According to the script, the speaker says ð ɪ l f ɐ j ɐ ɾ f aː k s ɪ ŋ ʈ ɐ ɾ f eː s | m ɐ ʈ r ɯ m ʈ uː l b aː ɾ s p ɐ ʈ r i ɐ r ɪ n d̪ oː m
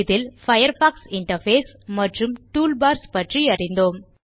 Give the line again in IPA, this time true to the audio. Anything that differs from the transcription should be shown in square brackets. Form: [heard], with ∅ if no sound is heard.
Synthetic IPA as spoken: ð ɪ l f ɐ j ɐ ɾ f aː k s ɪ [ɳ] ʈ ɐ ɾ f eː s | m ɐ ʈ r ɯ m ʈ uː l b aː ɾ s p ɐ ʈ r i ɐ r ɪ n d̪ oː m